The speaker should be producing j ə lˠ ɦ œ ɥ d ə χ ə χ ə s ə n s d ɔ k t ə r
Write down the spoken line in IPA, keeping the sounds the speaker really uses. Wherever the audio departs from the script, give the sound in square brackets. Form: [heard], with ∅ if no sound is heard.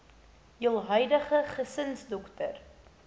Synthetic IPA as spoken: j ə lˠ ɦ œ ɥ d ə χ ə χ ə s ə n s d ɔ k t ə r

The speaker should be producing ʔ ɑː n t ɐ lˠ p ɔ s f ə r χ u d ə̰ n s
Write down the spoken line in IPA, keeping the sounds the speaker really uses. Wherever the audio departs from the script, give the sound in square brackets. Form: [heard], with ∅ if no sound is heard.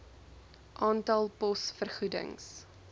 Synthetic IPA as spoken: ʔ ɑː n t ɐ lˠ p ɔ s f ə r χ u d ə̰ [ŋ] s

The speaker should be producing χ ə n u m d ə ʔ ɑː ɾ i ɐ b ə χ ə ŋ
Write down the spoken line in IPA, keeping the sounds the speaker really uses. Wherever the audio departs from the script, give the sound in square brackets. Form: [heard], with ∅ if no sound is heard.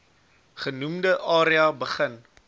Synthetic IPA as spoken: χ ə n u m d ə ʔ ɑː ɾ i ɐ b ə χ ə [n]

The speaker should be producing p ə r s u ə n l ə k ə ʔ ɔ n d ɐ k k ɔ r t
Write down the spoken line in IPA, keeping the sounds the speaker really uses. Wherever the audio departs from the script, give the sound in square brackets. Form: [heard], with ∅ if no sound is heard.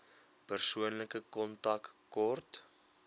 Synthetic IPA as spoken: p ə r s u ə n l ə k ə [k] ɔ n [t] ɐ k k ɔ r t

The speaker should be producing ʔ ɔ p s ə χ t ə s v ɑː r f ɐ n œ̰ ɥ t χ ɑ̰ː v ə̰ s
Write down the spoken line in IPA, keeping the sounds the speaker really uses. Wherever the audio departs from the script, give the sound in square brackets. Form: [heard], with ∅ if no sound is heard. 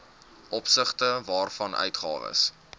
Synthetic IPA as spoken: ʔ ɔ p s ə χ t ə [∅] v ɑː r f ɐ n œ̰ ɥ t χ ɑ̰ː v ə̰ s

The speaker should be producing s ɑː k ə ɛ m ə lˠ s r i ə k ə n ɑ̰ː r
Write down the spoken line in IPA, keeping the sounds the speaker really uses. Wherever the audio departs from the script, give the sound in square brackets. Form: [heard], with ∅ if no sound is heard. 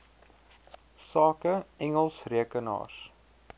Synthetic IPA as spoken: s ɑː k ə ɛ [ŋ] ə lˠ s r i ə k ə n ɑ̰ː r

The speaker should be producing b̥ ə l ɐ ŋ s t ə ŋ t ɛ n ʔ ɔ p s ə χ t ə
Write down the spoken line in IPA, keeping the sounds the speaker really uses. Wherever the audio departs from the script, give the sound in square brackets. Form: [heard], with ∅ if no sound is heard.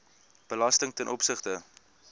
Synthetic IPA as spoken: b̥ ə l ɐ [∅] s t ə ŋ t ɛ n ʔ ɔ p s ə χ t ə

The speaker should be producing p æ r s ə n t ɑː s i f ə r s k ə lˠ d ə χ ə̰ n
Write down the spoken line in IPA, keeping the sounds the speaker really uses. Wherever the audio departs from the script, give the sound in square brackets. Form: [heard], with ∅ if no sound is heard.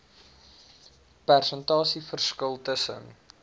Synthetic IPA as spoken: p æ r s ə n t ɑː s i f ə r s k ə lˠ [t] ə [s] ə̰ n

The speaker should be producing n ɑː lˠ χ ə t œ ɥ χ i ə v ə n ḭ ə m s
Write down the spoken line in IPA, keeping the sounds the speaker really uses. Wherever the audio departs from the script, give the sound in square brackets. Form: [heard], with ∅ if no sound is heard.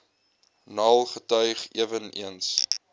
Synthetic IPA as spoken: n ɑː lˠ χ ə t œ ɥ χ i ə v ə n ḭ ə [n] s

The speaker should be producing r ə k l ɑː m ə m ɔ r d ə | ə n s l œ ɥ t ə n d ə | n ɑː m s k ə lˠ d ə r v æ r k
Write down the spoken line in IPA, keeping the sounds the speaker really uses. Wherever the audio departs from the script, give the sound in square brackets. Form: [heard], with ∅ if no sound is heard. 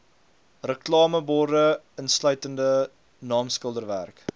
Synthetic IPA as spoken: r ə k l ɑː m ə [b] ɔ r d ə | ə n s l œ ɥ t ə n d ə | n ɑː m s k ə lˠ d ə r v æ r k

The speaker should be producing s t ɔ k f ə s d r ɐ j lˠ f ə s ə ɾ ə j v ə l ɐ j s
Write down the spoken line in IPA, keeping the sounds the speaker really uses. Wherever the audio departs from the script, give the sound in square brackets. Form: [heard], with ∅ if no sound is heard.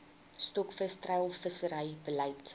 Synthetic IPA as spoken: s t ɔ k f ə s [t] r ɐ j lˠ f ə s ə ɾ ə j [b] ə l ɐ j [t]

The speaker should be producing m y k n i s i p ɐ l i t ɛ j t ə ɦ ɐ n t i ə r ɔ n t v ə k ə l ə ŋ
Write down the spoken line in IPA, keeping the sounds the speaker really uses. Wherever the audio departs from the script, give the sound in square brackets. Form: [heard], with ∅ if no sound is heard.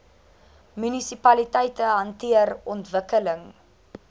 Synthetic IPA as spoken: m y [∅] n i s i p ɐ l i t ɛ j t ə ɦ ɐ n t i ə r ɔ n t v ə k ə l ə ŋ

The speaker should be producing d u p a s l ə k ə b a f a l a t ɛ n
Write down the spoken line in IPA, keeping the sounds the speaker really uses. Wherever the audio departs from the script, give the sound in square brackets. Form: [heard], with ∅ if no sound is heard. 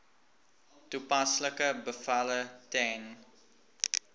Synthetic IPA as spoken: [t] u p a s l ə k ə b [ə] f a l [ə] t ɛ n

